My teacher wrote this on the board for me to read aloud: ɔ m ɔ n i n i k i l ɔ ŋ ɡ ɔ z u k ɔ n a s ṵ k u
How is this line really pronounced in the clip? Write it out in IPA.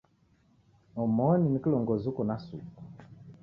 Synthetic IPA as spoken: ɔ m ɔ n i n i k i l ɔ ŋ ɡ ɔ z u k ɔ n a s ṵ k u